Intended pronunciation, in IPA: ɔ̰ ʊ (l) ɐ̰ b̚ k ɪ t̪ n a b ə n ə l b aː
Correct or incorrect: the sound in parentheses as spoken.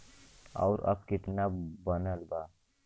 incorrect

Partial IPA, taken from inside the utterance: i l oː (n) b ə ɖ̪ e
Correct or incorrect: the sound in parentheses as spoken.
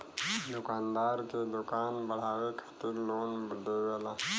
correct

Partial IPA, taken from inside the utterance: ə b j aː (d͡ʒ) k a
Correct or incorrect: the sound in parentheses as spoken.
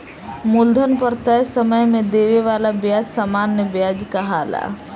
correct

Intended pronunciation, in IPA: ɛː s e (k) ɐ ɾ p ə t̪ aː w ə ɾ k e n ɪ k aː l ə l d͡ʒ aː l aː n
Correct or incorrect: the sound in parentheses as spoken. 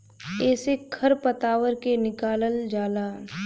incorrect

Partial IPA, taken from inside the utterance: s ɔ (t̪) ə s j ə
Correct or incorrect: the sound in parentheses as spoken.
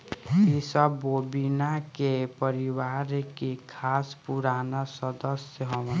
incorrect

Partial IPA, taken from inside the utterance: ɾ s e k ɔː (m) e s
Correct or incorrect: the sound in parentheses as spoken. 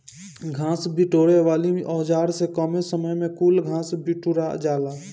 correct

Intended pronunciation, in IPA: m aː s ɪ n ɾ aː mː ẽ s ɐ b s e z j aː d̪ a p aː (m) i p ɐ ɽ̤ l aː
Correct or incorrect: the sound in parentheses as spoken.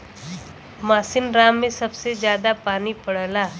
incorrect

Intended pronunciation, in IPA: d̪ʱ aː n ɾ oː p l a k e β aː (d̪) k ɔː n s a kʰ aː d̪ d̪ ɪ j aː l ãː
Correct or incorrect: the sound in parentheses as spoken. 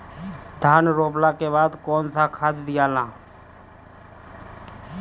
correct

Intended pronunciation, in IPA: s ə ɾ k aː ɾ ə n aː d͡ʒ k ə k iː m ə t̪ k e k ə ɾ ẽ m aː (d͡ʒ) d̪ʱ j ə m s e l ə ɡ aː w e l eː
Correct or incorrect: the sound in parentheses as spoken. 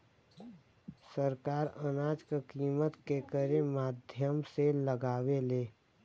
incorrect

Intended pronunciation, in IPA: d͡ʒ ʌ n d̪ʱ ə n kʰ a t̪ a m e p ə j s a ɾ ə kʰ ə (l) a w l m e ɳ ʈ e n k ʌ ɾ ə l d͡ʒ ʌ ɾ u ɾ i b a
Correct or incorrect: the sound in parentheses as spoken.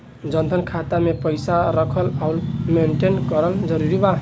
correct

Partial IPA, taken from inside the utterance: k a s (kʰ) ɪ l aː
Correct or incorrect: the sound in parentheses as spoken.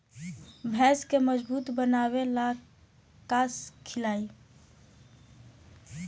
correct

